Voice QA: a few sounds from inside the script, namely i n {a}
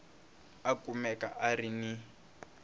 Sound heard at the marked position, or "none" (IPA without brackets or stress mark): i